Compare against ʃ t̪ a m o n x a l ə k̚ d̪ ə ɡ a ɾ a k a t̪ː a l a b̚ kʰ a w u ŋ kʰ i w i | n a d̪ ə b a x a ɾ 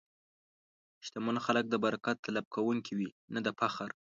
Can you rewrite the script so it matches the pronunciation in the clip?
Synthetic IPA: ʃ t̪ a m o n x a l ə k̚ d̪ ə b a ɾ a k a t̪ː a l a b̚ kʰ a w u ŋ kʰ i w i | n a d̪ ə p a x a ɾ